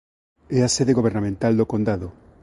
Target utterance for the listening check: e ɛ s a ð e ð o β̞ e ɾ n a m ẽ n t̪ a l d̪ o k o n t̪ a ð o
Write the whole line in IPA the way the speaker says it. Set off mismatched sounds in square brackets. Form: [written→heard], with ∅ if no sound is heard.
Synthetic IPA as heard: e [ɛ→a] s [a→e] ð e [ð→ɣ] o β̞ e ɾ n a m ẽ n t̪ a l d̪ o k o n [t̪→d̪] a ð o